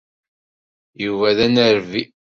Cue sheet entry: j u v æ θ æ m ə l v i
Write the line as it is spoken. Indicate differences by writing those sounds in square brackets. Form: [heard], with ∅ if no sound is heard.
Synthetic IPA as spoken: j u v æ [ð] æ [n] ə [ɾ] v i